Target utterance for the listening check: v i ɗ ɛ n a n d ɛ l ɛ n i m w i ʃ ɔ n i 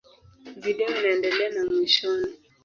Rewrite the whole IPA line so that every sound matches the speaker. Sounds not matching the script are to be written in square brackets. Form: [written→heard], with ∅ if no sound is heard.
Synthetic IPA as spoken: v i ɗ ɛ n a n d ɛ l ɛ n [i→a] m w i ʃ ɔ n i